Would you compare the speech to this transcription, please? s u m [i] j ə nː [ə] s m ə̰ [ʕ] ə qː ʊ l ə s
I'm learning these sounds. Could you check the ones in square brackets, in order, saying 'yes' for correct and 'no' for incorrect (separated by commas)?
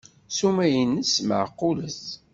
no, yes, yes